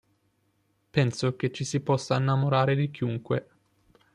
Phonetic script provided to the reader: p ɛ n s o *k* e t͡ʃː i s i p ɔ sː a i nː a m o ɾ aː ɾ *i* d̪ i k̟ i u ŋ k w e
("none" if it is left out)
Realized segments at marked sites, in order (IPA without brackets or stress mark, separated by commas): k, e